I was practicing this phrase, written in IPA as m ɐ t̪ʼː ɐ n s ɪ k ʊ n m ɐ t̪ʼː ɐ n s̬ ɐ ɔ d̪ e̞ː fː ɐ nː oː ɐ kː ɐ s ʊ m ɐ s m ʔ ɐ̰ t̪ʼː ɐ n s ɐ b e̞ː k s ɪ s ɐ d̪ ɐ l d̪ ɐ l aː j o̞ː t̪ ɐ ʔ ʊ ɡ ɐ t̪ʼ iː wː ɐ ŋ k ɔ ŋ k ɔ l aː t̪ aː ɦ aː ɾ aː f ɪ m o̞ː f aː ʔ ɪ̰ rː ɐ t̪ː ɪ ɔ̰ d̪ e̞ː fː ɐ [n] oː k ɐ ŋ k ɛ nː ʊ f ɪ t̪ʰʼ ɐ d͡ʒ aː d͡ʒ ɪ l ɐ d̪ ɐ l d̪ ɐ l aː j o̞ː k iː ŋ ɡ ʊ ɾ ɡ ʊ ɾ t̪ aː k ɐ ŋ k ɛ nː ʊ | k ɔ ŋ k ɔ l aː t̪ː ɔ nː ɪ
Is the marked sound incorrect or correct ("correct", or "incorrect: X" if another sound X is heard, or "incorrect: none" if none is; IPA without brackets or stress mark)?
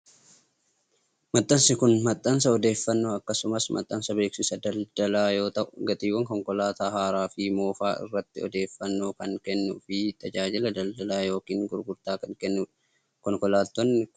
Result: incorrect: nː